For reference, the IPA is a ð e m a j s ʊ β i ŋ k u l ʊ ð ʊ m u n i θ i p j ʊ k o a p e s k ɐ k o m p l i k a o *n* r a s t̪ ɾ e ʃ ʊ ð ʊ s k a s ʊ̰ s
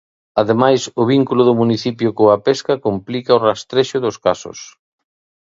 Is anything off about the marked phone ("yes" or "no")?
yes